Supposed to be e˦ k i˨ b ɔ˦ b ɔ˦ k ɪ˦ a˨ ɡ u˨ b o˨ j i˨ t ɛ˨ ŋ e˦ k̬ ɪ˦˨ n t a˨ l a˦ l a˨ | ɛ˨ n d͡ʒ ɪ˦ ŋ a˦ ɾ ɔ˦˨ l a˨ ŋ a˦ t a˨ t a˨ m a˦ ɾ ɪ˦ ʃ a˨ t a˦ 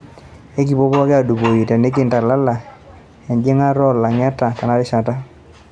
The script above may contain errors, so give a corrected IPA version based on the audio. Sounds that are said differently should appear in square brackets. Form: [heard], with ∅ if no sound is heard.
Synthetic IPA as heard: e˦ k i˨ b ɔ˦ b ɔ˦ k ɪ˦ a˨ [d] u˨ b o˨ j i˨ t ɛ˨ [n] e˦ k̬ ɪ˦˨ n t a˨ l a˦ l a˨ | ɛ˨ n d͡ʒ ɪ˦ ŋ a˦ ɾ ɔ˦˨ l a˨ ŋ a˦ t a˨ t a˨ [n] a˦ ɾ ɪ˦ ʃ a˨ t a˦